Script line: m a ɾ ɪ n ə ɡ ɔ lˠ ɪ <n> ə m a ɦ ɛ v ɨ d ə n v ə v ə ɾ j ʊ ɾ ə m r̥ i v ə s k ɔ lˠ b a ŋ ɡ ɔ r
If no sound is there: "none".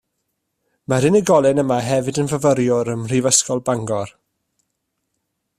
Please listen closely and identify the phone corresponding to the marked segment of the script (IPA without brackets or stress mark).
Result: n